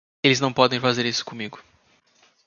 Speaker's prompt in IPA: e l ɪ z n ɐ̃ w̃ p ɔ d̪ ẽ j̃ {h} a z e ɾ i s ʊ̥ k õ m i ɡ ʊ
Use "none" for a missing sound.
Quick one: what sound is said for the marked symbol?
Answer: f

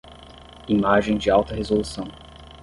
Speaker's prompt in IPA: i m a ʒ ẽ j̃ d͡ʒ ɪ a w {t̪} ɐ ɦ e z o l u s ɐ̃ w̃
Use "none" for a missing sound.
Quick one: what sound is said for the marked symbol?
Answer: t̪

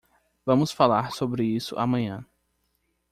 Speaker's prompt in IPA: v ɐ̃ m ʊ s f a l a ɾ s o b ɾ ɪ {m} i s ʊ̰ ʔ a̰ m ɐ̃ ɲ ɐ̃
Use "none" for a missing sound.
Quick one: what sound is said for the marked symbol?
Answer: none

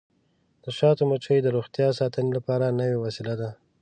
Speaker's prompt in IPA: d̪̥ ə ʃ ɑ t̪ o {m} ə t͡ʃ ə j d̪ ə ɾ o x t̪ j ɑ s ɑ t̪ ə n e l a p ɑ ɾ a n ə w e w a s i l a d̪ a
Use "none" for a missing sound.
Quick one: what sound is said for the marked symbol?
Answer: m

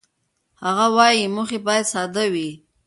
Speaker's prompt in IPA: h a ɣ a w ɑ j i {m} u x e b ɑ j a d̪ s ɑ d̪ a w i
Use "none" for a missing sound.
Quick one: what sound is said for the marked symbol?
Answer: m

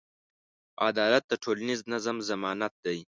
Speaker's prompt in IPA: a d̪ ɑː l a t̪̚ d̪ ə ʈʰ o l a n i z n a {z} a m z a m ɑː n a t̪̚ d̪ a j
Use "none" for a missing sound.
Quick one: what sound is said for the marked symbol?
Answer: z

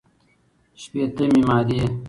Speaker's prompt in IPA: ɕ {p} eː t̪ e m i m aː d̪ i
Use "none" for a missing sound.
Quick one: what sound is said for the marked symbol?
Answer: p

